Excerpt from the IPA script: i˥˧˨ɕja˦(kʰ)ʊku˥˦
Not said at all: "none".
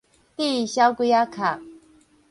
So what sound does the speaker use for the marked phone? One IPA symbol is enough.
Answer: none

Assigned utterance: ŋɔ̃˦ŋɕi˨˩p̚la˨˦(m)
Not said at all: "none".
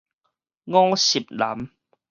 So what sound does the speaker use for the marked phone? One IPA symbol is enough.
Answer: m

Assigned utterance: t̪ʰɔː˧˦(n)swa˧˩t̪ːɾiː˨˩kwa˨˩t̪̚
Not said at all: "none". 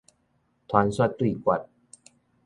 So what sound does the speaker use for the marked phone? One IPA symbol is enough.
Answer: n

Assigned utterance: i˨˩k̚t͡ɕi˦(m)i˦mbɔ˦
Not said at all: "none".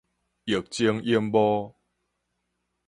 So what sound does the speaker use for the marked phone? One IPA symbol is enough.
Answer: ŋ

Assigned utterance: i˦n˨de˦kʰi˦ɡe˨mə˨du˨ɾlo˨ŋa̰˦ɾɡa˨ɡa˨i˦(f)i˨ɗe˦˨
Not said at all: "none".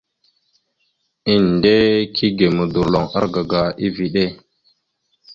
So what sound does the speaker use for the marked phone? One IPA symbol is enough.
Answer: v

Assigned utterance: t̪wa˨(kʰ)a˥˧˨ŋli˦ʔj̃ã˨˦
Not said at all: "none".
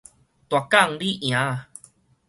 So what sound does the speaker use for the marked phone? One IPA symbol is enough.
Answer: k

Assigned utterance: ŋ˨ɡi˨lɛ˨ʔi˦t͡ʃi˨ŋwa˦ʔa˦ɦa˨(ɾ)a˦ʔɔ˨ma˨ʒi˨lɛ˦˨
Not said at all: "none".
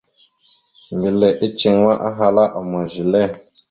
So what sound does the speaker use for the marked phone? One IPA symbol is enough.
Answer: l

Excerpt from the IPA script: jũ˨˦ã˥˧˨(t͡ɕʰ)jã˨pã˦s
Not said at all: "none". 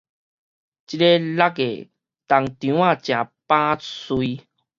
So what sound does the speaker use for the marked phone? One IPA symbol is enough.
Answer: t͡ɕ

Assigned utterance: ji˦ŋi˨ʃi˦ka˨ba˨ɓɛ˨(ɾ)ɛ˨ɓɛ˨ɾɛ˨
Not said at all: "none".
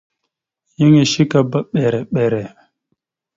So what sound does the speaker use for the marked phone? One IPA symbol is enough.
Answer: ɾ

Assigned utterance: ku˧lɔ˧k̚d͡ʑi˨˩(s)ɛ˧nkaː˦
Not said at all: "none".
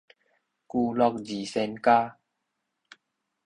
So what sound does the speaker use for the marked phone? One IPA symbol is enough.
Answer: s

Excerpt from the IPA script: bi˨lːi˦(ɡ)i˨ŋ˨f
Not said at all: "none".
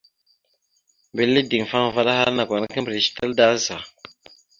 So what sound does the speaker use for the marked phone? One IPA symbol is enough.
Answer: d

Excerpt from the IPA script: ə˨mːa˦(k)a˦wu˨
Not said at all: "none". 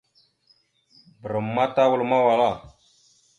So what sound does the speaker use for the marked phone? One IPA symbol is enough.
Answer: t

